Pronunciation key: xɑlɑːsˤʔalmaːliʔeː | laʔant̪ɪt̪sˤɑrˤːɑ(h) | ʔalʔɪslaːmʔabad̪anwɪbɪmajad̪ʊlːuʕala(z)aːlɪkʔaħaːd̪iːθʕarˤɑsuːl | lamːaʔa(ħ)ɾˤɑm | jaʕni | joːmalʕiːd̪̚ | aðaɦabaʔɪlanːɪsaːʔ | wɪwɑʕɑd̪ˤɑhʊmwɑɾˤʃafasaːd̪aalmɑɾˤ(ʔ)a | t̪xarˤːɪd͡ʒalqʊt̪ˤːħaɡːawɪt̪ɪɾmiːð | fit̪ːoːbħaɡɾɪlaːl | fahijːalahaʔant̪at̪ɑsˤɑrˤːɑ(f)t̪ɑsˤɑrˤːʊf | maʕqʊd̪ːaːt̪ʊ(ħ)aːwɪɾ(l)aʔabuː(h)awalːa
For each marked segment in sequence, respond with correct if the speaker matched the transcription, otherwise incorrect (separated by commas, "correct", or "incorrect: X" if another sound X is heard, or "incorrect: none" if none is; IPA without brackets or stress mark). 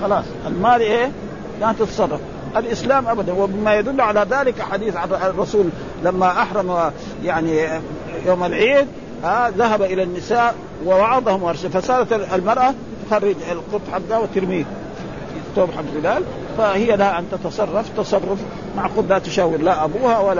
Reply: incorrect: f, incorrect: ð, correct, correct, correct, incorrect: ʃ, correct, correct